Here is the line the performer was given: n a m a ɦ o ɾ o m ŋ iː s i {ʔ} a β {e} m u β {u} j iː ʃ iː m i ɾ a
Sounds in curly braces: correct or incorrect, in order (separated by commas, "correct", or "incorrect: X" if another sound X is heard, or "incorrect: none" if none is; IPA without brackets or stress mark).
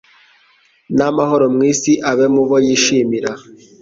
correct, correct, incorrect: o